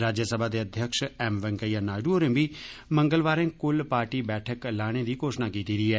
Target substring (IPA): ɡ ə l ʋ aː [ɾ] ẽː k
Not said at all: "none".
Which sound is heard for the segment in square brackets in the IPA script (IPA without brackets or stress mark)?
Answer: ɾ